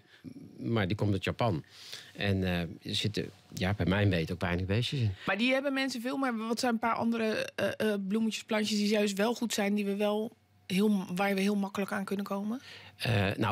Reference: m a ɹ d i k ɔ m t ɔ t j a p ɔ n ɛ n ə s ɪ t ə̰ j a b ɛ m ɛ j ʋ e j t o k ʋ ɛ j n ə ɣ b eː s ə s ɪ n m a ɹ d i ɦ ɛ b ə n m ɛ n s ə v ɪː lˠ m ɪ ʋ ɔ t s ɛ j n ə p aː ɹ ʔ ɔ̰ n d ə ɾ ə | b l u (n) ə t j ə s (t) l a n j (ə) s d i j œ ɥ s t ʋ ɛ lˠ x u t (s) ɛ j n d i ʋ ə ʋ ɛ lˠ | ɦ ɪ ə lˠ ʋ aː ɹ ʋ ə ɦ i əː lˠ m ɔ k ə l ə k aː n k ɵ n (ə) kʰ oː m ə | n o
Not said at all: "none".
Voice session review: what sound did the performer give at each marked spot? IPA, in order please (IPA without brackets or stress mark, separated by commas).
m, p, ə, s, ə